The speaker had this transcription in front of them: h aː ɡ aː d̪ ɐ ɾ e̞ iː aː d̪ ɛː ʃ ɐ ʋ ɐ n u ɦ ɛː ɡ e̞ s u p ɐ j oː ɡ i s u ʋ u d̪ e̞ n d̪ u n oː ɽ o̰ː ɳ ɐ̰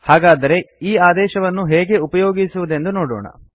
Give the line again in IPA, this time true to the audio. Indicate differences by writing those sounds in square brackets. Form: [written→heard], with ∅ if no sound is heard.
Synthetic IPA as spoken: h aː ɡ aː d̪ ɐ ɾ e̞ iː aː d̪ ɛː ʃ ɐ ʋ ɐ [n→nː] u ɦ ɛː ɡ e̞ [s→∅] u p ɐ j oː ɡ i s u ʋ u d̪ e̞ n d̪ u n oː ɽ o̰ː ɳ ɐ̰